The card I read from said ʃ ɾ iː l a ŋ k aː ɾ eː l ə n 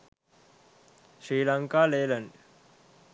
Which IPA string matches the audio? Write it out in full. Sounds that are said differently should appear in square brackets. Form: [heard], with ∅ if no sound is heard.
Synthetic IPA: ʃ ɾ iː l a ŋ k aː [l] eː l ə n

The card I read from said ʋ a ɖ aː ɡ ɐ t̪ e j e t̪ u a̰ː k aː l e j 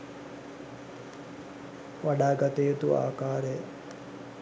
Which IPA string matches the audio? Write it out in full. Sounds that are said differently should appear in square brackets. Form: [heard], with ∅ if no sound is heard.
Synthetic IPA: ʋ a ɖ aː ɡ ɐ t̪ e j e t̪ u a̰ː k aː [ɾ] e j

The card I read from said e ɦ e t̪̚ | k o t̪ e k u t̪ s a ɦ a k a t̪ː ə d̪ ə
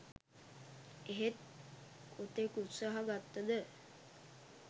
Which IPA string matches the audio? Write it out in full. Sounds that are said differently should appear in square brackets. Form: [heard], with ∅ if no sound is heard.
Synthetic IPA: e ɦ e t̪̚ | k o t̪ e k u t̪ s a ɦ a [ɡ] a t̪ː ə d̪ ə

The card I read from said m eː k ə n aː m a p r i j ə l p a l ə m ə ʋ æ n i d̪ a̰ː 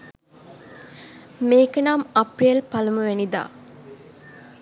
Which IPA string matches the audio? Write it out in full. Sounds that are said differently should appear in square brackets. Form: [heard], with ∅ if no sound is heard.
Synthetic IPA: m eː k ə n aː m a p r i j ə l p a l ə m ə ʋ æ n i d̪ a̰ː

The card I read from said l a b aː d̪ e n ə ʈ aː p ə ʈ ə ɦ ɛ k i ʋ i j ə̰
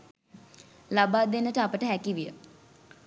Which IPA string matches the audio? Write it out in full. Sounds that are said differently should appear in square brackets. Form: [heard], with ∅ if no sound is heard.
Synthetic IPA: l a b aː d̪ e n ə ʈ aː p ə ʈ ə ɦ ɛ k i ʋ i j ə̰

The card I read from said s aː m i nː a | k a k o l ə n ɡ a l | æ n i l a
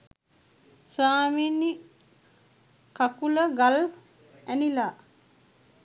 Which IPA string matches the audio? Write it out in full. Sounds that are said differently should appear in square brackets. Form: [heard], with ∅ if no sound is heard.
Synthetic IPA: s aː m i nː [i] | k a k [u] l ə [∅] ɡ a l | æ n i l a

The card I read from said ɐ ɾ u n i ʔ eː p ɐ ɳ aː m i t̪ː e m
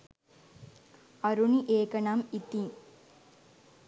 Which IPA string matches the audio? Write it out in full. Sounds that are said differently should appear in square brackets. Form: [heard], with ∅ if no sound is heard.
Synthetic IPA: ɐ ɾ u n i ʔ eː [k] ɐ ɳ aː m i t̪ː [i] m

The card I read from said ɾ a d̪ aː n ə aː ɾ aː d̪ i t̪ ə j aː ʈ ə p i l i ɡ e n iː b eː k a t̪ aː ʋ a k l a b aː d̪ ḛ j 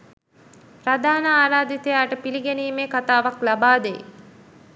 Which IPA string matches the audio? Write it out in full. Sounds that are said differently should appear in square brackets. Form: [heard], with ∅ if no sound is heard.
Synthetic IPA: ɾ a d̪ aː n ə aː ɾ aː d̪ i t̪ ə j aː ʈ ə p i l i ɡ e n iː [m] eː k a t̪ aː ʋ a k l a b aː d̪ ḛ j

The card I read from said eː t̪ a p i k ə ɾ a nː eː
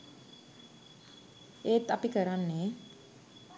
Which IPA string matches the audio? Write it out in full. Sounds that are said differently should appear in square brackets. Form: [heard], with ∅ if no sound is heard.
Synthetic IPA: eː t̪ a p i k ə ɾ a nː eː

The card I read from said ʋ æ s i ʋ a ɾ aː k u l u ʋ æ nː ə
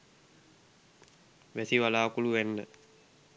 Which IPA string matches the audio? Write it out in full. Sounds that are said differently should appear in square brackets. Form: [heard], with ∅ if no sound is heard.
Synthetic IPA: ʋ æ s i ʋ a [l] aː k u l u ʋ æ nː ə

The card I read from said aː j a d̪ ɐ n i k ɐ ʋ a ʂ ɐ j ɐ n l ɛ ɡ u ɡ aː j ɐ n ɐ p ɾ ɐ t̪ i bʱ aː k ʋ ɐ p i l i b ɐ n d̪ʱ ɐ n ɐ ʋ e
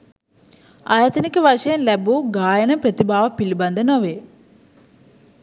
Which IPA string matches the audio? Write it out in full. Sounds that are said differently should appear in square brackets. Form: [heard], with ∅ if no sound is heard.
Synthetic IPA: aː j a [t̪] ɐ n i k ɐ ʋ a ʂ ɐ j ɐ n l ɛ [b] u ɡ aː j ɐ n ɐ p ɾ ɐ t̪ i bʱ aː [∅] ʋ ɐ p i l i b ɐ n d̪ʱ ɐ n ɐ ʋ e

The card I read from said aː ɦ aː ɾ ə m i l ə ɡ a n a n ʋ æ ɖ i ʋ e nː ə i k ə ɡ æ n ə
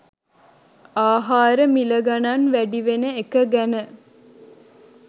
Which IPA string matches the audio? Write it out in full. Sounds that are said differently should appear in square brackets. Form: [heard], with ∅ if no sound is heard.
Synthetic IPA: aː ɦ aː ɾ ə m i l ə ɡ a n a n ʋ æ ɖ i ʋ e [n] ə [e] k ə ɡ æ n ə

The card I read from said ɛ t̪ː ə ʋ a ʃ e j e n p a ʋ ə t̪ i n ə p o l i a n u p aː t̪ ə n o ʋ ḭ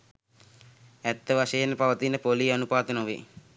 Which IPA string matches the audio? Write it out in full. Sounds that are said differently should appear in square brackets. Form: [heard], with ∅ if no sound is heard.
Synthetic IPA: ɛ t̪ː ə ʋ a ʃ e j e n p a ʋ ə t̪ i n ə p o l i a n u p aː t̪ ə n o ʋ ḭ

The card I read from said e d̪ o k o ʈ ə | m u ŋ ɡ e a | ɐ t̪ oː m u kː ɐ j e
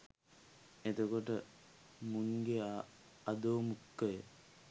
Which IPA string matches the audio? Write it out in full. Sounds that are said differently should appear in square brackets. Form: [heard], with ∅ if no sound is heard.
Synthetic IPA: e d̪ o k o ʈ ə | m u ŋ ɡ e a | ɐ [d̪] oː m u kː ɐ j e

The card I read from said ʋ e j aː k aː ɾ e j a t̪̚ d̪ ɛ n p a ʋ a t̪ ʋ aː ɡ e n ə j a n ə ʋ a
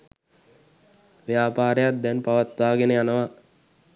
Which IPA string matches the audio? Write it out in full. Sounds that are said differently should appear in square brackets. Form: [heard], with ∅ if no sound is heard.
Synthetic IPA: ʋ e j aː [p] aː ɾ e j a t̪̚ d̪ ɛ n p a ʋ a t̪ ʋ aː ɡ e n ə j a n ə ʋ a

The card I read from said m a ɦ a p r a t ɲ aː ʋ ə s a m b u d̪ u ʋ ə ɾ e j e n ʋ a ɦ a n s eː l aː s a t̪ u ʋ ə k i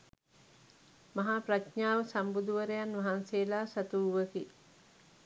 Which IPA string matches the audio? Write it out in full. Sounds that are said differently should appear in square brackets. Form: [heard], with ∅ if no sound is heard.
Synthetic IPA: m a ɦ a p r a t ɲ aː ʋ ə s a m b u d̪ u ʋ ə ɾ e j [a] n ʋ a ɦ a n s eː l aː s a t̪ u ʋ ə k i

